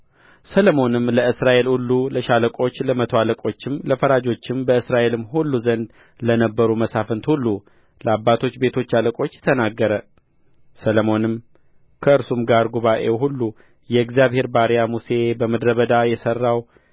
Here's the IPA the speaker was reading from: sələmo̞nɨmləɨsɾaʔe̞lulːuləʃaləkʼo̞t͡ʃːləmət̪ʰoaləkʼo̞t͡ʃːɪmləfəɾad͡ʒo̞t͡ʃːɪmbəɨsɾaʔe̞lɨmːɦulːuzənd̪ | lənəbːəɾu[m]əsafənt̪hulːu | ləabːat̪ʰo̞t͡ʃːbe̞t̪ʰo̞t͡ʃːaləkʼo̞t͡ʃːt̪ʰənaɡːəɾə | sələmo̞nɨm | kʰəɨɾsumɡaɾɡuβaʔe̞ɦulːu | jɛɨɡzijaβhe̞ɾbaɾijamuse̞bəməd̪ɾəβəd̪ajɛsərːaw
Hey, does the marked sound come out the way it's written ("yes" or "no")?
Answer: yes